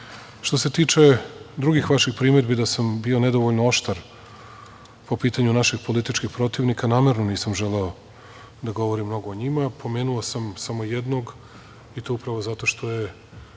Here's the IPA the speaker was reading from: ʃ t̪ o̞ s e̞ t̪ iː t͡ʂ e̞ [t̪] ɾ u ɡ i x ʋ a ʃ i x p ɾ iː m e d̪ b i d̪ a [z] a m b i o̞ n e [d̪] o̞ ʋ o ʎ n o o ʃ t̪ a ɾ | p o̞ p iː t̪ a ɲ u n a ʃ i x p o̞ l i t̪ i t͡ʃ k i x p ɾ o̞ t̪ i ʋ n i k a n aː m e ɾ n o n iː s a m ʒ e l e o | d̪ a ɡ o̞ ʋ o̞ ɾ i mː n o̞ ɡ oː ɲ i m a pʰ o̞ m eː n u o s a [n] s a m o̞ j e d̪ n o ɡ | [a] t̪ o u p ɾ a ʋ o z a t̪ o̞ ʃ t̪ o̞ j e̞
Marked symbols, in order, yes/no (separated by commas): no, no, yes, no, no